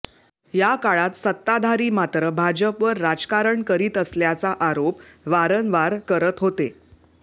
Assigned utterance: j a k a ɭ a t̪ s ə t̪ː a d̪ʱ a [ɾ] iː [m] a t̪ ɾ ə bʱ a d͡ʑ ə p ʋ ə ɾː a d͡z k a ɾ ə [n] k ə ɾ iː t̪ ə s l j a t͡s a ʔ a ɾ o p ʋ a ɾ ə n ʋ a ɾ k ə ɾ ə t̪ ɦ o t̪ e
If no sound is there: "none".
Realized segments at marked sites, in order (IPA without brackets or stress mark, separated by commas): ɾ, m, ɳ